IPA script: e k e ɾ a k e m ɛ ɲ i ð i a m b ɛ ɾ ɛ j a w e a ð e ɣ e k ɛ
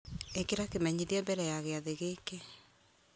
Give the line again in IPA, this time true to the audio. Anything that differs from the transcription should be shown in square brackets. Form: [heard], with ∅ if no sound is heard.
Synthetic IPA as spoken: e k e ɾ a k e m ɛ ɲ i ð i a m b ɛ ɾ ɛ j a [ɣ] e a ð e ɣ e k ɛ